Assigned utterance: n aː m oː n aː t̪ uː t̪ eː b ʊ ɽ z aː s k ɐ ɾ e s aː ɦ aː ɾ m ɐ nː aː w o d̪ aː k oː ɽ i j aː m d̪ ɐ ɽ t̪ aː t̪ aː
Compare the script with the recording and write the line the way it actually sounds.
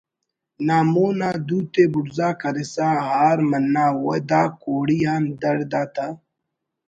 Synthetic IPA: n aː m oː n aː d̪ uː t̪ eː b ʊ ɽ z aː k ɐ ɾ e s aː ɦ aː ɾ m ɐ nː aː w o d̪ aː k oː ɽ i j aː n d̪ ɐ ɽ d̪ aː t̪ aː